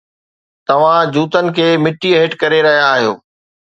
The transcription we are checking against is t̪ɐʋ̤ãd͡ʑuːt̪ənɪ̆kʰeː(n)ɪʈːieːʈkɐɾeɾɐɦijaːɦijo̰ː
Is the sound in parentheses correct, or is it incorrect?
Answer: incorrect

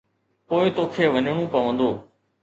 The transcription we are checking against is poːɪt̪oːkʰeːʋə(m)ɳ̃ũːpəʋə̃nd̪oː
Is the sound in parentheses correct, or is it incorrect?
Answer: incorrect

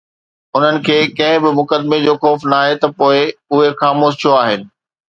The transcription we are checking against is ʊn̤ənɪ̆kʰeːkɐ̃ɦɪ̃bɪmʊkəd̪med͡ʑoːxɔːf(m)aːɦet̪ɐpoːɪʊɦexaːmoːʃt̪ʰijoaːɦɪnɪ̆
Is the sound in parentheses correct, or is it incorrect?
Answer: incorrect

